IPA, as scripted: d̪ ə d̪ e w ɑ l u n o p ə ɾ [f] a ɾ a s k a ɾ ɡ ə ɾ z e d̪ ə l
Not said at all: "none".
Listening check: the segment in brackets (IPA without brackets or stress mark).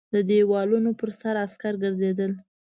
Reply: s